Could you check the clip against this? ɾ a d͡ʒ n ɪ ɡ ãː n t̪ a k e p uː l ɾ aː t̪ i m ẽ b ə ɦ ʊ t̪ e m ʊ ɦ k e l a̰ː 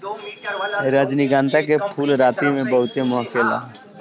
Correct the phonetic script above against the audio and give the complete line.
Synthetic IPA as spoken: ɾ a d͡ʒ n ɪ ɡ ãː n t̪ a k e pʰ uː l ɾ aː t̪ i m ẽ b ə ɦ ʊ t̪ e m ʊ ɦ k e l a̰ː